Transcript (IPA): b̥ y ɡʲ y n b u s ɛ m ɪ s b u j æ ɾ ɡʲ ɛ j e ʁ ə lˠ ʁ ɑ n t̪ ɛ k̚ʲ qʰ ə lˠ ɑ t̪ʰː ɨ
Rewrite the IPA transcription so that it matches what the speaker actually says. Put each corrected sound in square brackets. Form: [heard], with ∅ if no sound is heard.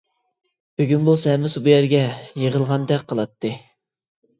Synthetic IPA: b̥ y ɡʲ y n b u s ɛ m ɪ s b u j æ ɾ ɡʲ ɛ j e ʁ ə lˠ ʁ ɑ n [d̪] ɛ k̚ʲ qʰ ə lˠ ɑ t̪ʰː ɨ